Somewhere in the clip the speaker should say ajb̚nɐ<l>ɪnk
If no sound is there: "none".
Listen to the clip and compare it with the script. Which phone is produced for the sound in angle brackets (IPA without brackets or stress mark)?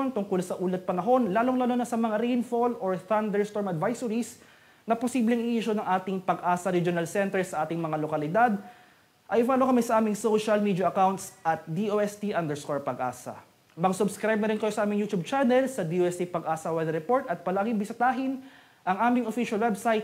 ɾ